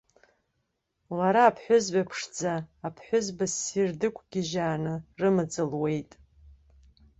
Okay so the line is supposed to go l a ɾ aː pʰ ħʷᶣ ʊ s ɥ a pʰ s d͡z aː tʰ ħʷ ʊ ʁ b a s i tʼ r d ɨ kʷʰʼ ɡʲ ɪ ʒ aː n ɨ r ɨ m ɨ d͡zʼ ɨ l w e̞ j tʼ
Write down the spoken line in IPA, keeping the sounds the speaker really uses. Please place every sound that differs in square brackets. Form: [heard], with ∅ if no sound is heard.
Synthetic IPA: l a ɾ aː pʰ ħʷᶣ ʊ [z] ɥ a pʰ [ʂ] d͡z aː [pʰ] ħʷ ʊ [z] b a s i [∅] r d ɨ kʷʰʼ ɡʲ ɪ ʒ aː n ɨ r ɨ m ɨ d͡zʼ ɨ l w e̞ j tʼ

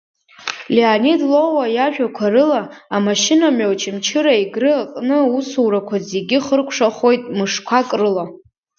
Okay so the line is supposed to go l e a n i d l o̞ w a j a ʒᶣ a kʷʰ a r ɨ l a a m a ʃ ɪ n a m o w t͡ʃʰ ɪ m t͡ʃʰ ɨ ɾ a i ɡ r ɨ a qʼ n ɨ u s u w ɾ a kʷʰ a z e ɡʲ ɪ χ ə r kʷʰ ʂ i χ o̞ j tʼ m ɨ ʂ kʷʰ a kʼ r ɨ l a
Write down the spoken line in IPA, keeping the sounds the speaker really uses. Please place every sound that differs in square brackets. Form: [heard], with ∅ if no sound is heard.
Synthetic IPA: l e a n i d l o̞ w a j a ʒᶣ a kʷʰ a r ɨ l a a m a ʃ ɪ n a m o w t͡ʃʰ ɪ m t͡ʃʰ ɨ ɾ a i ɡ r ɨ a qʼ n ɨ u s u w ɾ a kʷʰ a z e ɡʲ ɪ χ ə r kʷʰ ʂ [a] χ o̞ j tʼ m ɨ ʂ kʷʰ a kʼ r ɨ l a

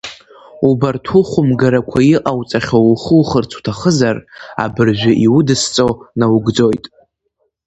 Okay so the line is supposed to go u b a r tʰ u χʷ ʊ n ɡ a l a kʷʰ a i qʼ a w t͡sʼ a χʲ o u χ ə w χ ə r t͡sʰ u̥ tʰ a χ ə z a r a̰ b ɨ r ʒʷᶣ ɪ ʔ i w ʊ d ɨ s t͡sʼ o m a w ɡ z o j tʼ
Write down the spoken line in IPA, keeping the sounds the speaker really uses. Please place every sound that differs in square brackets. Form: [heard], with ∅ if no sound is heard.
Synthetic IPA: u b a r tʰ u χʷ ʊ [m] ɡ a [ɾ] a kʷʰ a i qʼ a w t͡sʼ a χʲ o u χ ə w χ ə r t͡sʰ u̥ tʰ a χ ə z a r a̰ b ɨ r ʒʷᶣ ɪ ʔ i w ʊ d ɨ s t͡sʼ o [n] a w ɡ [d͡z] o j tʼ

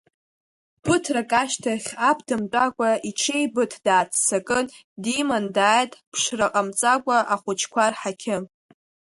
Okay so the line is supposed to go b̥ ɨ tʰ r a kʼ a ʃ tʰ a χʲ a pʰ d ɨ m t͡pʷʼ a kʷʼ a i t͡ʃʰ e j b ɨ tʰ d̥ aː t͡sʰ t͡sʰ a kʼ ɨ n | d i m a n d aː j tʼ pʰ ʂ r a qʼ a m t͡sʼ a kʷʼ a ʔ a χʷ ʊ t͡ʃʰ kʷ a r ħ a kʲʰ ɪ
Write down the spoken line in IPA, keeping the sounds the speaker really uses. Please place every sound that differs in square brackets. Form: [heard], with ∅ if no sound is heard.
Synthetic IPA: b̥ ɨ tʰ r a kʼ a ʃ tʰ a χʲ a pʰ d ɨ m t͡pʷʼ a kʷʼ a i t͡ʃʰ e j b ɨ tʰ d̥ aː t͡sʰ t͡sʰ a kʼ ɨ n | d i m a n d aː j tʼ pʰ ʂ r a qʼ a m t͡sʼ a kʷʼ a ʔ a χʷ ʊ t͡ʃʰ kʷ a r ħ a kʲʰ ɪ

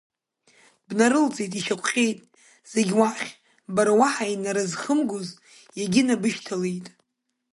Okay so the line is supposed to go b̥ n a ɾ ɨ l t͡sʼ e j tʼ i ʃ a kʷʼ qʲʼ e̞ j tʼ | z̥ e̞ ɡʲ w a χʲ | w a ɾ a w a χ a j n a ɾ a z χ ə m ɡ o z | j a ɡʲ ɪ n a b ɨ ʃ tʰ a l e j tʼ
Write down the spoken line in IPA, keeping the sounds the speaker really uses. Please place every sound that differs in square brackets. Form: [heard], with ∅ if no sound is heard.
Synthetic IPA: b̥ n a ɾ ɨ l t͡sʼ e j tʼ i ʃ a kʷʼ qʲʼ e̞ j tʼ | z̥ e̞ ɡʲ w a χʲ | [b] a ɾ a w a [ħ] a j n a ɾ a z χ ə m ɡ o z | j a ɡʲ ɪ n a b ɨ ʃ tʰ a l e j tʼ

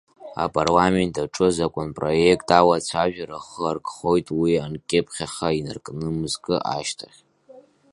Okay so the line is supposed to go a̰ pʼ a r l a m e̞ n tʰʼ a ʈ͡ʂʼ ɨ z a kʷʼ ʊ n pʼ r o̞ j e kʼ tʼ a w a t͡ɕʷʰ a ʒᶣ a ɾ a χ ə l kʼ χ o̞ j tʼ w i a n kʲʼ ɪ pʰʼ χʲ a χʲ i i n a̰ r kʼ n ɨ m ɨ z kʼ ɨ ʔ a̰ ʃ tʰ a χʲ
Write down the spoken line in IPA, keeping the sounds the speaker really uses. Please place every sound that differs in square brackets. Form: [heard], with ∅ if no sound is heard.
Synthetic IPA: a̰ pʼ a r l a m e̞ n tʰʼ a ʈ͡ʂʼ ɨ z a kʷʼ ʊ n pʼ r o̞ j e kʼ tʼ a w a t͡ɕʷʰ a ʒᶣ a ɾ a χ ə [r] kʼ χ o̞ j tʼ w i a n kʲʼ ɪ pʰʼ χʲ a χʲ [a] i n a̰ r kʼ n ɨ m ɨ z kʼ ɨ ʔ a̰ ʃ tʰ a χʲ

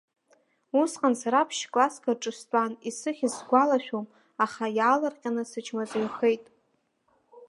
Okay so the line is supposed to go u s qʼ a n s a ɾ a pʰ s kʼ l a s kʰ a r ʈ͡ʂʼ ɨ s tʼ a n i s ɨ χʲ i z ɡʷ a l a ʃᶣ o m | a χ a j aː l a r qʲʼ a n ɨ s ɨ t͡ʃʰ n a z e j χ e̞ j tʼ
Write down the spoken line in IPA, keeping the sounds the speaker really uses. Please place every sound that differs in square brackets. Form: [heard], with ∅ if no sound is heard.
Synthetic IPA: u s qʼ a n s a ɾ a pʰ [ʃ] kʼ l a s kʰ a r ʈ͡ʂʼ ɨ s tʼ a n i s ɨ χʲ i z ɡʷ a l a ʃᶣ o m | a χ a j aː l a r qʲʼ a n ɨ s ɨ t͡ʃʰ [m] a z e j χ e̞ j tʼ

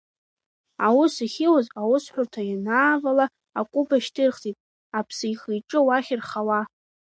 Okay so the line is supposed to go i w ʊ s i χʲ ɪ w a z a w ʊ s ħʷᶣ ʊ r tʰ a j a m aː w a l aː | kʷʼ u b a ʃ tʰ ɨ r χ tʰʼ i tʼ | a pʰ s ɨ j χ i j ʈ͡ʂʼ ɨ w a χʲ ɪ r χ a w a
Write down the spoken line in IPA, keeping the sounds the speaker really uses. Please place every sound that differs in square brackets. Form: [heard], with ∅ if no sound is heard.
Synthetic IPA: [a] w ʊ s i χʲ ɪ w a z a w ʊ s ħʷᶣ ʊ r tʰ a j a [n] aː [v] a l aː | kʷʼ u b a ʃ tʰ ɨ r χ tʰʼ i tʼ | a pʰ s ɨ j χ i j ʈ͡ʂʼ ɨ w a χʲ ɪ r χ a w a

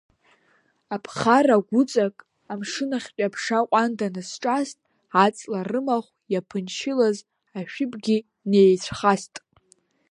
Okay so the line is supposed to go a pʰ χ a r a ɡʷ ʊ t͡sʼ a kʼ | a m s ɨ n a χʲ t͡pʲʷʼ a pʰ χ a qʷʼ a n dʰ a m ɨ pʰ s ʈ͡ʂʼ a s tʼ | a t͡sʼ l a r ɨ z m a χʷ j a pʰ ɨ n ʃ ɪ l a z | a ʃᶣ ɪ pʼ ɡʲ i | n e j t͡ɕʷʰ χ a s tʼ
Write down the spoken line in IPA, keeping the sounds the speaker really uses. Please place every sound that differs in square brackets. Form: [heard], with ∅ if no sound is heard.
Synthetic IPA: a pʰ χ a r a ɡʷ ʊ t͡sʼ a kʼ | a m [ʂ] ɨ n a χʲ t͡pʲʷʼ a pʰ [ʂ] a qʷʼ a n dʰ a [n] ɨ [∅] s ʈ͡ʂʼ a s tʼ | a t͡sʼ l a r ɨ [∅] m a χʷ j a pʰ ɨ n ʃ ɪ l a z | a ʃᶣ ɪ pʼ ɡʲ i | n e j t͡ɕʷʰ χ a s tʼ

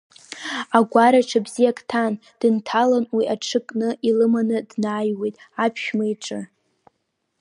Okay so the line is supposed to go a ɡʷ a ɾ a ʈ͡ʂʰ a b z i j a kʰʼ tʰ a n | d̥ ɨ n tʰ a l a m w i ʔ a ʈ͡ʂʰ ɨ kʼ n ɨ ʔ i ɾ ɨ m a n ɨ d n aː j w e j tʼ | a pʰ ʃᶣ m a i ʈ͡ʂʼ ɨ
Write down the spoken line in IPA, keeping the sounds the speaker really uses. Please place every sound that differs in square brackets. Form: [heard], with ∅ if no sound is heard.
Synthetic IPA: a ɡʷ a ɾ a ʈ͡ʂʰ a b z i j a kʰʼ tʰ a n | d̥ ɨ n tʰ a l a [n] w i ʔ a ʈ͡ʂʰ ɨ kʼ n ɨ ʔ i [l] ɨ m a n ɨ d n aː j w e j tʼ | a pʰ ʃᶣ m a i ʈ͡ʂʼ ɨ

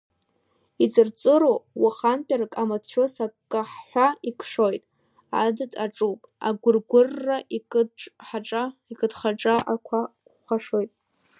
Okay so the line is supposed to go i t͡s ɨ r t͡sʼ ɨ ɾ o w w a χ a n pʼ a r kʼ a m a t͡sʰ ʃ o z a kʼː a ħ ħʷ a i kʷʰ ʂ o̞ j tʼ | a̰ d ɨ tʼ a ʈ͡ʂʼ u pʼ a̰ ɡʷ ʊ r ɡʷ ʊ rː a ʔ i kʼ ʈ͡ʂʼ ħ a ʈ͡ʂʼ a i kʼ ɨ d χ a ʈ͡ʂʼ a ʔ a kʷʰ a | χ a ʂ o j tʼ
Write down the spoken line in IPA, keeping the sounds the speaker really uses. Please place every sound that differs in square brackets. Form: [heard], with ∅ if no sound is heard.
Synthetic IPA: i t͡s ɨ r t͡sʼ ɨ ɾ o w w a χ a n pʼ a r kʼ a m a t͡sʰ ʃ o [s] a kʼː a ħ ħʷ a i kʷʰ ʂ o̞ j tʼ | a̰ d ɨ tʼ a ʈ͡ʂʼ u pʼ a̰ ɡʷ ʊ r ɡʷ ʊ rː a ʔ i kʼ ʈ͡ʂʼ ħ a ʈ͡ʂʼ a i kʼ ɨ d χ a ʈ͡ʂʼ a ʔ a kʷʰ a | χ a ʂ o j tʼ

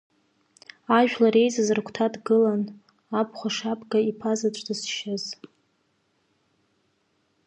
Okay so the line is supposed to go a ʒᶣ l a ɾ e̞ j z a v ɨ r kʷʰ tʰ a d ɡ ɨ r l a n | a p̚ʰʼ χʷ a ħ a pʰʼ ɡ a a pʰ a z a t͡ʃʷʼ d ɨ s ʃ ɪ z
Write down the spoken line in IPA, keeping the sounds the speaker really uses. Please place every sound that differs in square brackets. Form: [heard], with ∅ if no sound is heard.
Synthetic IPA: a ʒᶣ l a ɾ e̞ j z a [z] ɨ r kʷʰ tʰ a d ɡ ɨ [∅] l a n | a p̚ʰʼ χʷ a [ʂ] a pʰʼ ɡ a [i] pʰ a z a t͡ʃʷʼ d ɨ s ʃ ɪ z

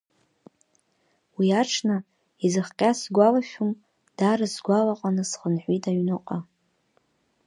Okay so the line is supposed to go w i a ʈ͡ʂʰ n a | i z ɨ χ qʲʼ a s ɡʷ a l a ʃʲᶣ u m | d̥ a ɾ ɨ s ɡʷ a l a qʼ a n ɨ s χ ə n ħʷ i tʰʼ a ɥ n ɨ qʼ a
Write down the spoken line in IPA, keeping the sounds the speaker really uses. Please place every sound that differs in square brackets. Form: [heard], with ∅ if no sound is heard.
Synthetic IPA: w i a ʈ͡ʂʰ n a | i z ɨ χ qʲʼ a s ɡʷ a l a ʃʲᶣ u m | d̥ a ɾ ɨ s ɡʷ a l a qʼ a n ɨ s χ ə n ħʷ i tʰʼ a ɥ n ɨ qʼ a

